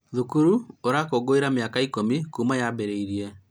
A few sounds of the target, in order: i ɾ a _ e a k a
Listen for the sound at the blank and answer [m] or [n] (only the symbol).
m